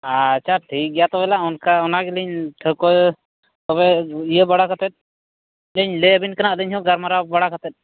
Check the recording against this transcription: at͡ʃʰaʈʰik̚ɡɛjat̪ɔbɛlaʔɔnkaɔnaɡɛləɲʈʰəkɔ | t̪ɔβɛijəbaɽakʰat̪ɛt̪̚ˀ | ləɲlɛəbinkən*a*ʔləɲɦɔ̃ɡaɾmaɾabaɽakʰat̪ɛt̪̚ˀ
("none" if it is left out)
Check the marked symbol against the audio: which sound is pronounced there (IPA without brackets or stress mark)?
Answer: a